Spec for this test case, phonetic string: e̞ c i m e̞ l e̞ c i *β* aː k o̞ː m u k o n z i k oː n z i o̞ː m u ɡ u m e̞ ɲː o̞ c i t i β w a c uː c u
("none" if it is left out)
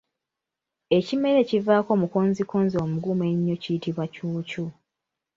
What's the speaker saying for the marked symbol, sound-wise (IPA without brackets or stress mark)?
v